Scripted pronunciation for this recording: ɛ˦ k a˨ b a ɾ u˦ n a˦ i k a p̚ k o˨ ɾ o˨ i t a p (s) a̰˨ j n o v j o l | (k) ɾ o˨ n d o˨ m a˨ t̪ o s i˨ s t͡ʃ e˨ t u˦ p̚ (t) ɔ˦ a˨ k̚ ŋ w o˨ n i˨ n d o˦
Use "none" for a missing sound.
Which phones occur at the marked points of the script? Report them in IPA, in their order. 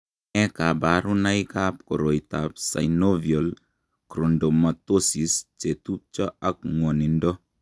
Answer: s, k, t͡ʃ

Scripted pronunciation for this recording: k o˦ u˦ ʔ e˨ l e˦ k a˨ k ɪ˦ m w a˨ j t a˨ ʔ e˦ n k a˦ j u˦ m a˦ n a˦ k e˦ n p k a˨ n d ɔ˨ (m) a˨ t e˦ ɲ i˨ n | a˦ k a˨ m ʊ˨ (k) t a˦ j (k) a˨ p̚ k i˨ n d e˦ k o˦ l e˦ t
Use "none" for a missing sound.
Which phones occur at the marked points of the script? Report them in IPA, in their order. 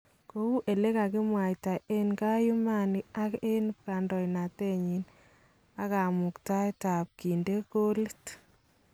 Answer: n, k, t

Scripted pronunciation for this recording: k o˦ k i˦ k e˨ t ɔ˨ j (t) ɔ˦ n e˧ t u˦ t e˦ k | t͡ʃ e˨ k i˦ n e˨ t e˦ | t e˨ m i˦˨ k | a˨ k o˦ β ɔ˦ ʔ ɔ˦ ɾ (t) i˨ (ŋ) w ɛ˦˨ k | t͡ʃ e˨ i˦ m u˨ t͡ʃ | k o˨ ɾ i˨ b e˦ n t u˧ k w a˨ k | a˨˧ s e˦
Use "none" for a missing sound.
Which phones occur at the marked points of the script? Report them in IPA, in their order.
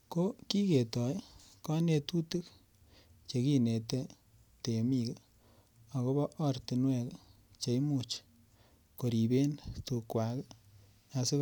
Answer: k, t, n

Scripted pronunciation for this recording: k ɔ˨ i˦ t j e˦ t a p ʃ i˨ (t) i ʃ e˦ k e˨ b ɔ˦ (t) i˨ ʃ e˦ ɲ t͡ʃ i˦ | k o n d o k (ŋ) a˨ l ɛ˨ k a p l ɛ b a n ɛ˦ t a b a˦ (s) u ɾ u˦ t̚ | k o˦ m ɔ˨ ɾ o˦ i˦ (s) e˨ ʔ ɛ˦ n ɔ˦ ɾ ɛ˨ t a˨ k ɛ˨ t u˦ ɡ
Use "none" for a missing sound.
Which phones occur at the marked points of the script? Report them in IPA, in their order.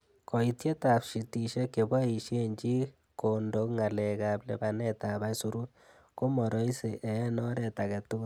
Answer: t, none, ŋ, s, s

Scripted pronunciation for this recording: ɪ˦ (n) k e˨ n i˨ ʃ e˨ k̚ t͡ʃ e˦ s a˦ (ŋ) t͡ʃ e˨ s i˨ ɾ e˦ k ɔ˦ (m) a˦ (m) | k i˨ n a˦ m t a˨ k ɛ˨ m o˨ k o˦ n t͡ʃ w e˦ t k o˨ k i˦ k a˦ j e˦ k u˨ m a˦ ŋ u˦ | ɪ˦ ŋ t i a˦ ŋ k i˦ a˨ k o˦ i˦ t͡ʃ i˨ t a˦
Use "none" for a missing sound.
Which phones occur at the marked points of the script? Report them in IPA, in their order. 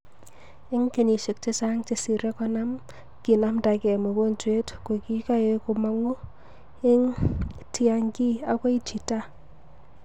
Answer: ŋ, ŋ, n, m

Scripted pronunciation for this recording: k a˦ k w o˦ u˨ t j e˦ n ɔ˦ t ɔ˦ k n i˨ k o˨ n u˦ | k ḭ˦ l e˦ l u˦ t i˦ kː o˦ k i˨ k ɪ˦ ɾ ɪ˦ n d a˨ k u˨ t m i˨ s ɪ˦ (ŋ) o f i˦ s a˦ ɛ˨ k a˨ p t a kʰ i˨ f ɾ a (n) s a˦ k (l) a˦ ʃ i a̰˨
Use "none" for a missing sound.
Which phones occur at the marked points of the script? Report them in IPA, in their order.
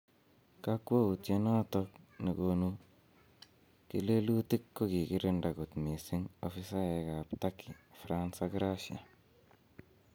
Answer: ŋ, n, ɾ

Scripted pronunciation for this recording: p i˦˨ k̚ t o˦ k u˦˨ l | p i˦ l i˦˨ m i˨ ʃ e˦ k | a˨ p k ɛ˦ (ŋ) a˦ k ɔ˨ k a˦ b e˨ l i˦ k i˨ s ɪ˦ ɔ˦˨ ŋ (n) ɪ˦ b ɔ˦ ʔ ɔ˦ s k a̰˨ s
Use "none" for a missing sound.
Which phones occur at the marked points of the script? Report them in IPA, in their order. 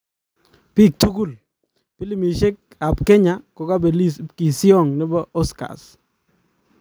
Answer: ɲ, n

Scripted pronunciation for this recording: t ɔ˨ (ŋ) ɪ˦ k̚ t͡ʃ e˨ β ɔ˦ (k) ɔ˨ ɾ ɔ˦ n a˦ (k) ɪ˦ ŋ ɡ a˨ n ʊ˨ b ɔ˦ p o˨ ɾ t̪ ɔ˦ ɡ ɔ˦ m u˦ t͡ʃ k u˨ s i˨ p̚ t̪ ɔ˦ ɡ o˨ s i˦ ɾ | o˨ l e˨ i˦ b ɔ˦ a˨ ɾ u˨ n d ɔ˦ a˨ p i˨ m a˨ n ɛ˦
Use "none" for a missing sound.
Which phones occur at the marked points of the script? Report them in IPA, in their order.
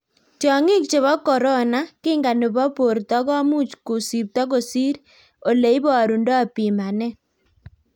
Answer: ŋ, k, k

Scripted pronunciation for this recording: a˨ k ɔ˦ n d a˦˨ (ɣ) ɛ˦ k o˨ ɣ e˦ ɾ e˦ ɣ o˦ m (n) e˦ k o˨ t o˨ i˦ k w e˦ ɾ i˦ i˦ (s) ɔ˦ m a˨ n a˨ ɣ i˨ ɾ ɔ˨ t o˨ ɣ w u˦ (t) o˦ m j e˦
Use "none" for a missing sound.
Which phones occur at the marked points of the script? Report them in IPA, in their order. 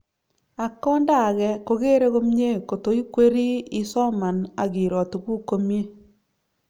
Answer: ɣ, ɲ, s, k

